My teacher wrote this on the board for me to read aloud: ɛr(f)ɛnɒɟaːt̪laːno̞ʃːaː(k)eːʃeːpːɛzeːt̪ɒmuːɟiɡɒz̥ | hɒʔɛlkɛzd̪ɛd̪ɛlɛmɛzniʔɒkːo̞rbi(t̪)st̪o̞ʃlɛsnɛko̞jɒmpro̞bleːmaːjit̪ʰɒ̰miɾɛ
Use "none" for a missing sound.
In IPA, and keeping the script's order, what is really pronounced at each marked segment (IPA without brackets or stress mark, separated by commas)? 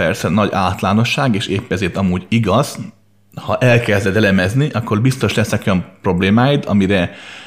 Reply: s, ɡ, none